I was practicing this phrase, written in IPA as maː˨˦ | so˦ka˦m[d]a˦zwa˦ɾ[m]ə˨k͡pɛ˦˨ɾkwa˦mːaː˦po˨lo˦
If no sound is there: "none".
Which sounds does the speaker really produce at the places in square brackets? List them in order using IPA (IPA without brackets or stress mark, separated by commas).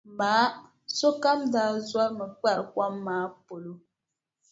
d, m